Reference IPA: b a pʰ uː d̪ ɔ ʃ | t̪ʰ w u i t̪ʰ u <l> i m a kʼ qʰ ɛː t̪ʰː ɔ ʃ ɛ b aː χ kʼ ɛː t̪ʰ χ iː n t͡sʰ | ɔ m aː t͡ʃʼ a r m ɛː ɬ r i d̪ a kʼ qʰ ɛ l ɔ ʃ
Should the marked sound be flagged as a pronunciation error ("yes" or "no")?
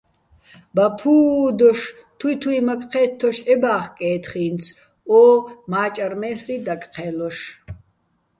yes